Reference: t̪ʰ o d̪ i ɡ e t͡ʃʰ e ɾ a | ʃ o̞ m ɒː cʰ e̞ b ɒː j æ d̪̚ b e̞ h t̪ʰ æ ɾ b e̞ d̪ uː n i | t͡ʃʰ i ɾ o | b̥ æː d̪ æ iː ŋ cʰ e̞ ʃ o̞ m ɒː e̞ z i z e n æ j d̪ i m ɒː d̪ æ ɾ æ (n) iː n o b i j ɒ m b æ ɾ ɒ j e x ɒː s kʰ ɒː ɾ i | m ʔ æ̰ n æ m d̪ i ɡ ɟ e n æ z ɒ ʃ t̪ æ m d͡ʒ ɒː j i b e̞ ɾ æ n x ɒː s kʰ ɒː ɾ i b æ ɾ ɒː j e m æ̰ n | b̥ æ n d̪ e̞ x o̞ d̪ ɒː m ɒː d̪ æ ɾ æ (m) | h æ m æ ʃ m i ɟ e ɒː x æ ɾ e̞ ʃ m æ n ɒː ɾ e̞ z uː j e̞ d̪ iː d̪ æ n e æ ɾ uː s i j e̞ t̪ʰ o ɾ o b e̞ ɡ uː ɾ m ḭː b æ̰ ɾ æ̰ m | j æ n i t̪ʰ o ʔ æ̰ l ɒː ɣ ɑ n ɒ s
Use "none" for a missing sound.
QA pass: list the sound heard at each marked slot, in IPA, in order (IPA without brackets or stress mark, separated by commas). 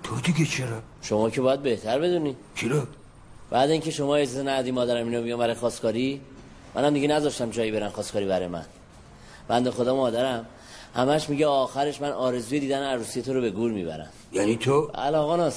m, m